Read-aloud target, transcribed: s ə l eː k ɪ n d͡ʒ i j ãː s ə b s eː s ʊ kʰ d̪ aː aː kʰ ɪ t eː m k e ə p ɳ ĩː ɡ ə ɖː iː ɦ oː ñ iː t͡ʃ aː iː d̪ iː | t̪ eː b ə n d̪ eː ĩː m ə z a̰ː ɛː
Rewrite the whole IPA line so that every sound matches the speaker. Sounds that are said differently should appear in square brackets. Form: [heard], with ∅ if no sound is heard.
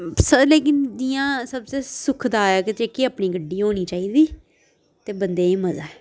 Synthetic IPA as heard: s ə l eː k ɪ n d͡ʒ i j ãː s ə b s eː s ʊ kʰ d̪ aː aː [k] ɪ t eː [∅] k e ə p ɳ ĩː ɡ ə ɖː iː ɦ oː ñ iː t͡ʃ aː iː d̪ iː | t̪ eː b ə n d̪ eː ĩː m ə z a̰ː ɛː